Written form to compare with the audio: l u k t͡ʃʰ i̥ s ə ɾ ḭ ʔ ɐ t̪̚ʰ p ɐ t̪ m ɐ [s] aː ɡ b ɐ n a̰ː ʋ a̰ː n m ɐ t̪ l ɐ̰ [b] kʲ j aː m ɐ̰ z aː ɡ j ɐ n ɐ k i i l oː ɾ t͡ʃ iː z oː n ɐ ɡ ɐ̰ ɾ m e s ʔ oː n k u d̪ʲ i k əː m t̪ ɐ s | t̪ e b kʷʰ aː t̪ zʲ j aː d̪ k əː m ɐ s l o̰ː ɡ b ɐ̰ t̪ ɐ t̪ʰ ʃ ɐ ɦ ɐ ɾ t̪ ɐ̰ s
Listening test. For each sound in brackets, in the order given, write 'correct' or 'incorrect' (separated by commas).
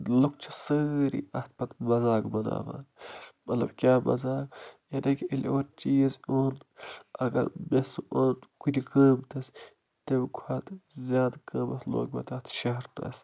incorrect, correct